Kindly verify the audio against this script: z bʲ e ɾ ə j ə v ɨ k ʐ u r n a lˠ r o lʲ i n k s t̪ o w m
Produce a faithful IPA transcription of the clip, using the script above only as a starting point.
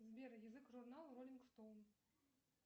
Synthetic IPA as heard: z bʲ e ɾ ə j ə z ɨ k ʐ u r n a lˠ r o lʲ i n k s t̪ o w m